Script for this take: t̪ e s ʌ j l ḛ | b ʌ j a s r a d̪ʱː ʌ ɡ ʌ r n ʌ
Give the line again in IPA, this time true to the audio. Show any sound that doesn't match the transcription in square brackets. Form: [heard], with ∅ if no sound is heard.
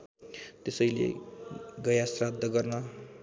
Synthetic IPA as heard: t̪ e s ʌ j l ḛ | [ɡ] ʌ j a s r a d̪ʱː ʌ ɡ ʌ r n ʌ